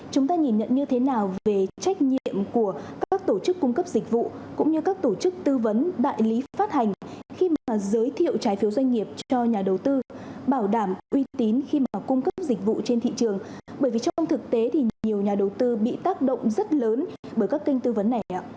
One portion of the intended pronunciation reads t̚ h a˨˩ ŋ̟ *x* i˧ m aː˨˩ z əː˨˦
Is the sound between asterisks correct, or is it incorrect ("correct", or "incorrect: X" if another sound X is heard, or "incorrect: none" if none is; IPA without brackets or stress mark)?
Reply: correct